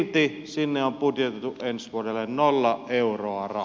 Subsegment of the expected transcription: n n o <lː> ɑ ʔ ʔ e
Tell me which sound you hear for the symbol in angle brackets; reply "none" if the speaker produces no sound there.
lː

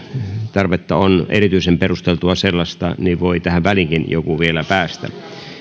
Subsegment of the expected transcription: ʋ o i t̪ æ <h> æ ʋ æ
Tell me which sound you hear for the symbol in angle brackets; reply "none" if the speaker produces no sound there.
h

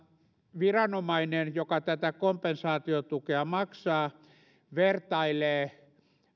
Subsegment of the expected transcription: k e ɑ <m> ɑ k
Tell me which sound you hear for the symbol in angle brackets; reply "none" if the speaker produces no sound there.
m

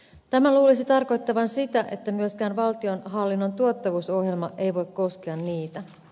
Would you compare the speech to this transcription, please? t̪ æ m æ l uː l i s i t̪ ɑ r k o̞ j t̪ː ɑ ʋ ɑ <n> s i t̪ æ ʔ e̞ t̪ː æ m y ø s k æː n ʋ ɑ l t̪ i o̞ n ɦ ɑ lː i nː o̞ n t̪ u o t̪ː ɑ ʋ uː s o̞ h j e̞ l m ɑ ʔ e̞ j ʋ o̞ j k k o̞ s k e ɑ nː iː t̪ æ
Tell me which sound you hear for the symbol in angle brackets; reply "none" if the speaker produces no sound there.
n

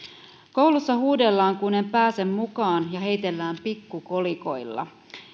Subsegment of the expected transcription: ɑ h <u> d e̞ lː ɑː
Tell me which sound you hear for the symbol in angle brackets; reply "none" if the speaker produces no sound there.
uː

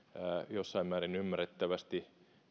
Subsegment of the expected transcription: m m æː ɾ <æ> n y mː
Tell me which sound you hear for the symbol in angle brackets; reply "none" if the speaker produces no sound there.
i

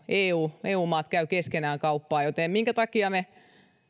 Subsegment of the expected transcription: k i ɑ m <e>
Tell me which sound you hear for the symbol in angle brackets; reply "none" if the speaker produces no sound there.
e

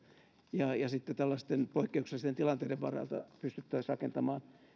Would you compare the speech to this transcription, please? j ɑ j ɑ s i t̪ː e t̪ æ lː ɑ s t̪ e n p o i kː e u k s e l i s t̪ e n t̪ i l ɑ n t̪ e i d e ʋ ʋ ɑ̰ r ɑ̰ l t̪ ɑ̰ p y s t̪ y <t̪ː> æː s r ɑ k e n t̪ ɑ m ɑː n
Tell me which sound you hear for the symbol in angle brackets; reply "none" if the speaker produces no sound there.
t̪ː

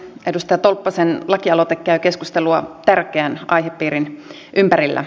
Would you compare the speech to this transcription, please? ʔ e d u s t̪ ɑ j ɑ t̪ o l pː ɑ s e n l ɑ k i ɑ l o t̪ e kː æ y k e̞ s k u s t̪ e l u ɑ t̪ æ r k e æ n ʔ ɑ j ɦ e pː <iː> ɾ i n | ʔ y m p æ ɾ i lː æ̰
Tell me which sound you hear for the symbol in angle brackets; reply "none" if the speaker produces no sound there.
iː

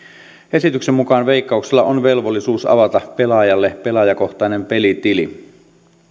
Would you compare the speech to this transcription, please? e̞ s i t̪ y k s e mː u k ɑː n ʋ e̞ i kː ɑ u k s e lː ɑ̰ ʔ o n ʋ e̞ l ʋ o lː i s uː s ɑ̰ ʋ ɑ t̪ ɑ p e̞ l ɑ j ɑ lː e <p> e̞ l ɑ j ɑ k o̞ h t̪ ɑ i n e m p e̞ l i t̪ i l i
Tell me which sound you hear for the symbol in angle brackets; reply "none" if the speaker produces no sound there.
p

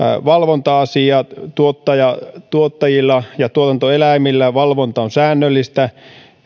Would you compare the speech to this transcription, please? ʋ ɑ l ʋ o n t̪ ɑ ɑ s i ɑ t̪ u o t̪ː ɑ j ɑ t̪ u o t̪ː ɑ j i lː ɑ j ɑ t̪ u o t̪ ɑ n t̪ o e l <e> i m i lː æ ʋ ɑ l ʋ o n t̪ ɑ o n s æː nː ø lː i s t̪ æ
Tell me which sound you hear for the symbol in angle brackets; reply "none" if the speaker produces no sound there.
æ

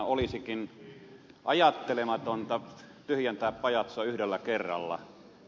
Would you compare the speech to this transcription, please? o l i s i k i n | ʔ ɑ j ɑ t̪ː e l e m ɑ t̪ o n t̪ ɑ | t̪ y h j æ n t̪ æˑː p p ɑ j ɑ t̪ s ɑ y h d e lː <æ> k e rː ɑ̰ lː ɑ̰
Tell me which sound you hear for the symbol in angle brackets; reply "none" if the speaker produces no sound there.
æ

